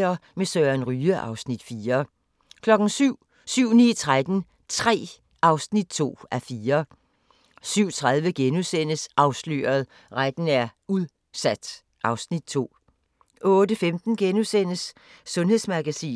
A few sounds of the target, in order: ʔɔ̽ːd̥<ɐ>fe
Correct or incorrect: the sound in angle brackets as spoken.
incorrect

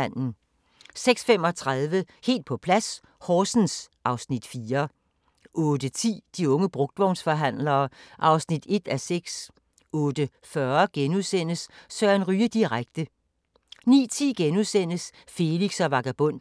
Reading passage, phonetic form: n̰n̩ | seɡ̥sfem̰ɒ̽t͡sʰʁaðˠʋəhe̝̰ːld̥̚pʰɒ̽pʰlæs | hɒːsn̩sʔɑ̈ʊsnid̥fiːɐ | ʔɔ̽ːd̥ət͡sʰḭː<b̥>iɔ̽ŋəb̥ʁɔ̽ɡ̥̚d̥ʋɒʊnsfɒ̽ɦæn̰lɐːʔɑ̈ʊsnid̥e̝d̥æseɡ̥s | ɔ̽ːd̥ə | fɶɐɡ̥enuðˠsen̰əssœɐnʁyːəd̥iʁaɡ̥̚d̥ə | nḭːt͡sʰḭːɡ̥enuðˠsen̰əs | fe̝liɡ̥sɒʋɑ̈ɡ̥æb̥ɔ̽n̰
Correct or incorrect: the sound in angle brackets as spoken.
incorrect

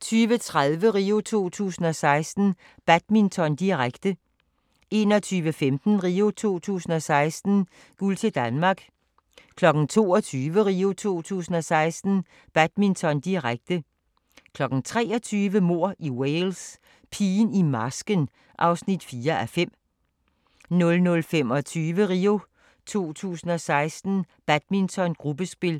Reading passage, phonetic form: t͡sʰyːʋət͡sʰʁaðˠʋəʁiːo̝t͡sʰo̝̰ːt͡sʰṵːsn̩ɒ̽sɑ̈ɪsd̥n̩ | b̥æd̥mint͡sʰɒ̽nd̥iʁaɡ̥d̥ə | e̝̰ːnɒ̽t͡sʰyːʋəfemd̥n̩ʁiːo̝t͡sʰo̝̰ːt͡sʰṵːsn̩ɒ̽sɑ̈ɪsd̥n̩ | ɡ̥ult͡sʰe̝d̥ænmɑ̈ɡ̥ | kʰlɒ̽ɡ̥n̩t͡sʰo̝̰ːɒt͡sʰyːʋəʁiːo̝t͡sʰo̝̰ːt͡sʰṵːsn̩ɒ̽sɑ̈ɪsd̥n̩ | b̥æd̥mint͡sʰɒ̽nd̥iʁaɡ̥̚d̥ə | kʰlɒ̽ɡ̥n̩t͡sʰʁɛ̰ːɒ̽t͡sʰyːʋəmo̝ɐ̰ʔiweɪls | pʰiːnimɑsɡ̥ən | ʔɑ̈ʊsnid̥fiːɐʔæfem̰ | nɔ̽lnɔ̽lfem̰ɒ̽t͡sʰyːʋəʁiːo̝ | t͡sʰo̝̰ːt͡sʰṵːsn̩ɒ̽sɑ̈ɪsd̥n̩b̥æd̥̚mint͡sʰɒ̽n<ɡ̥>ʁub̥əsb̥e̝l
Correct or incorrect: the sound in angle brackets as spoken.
correct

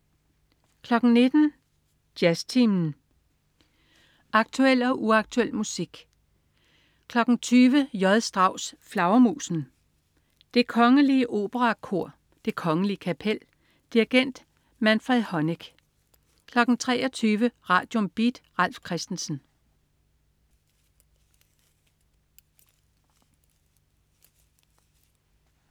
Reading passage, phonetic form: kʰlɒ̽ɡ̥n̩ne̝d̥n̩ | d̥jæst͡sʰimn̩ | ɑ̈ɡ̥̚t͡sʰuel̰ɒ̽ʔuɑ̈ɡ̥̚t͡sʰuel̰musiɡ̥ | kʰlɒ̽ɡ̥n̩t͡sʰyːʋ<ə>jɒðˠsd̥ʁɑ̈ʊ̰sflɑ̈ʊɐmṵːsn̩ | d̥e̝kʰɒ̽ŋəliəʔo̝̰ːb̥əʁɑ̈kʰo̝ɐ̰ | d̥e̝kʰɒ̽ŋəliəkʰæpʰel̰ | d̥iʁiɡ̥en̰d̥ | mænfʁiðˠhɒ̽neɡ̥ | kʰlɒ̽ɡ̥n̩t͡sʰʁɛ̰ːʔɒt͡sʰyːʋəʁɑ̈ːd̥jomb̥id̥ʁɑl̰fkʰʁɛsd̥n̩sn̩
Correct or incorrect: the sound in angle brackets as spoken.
correct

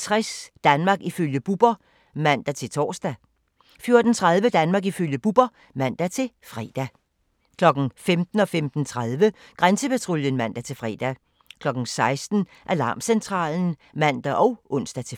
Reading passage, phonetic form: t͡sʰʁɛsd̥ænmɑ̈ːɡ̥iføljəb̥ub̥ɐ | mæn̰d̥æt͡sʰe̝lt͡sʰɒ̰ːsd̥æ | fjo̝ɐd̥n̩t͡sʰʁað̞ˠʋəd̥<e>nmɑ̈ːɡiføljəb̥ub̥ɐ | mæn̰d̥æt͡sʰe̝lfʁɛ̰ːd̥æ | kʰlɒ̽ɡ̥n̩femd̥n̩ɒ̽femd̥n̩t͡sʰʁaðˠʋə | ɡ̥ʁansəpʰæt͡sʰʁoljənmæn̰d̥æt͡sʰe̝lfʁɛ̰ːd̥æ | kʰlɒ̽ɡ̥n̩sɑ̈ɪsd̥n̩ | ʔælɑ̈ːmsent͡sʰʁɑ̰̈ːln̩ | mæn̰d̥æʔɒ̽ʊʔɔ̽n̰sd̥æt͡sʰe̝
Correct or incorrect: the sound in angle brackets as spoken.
incorrect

